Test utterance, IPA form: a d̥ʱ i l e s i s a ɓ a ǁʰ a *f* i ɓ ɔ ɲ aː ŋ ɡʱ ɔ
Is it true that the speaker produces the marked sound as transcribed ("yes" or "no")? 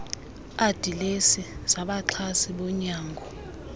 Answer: no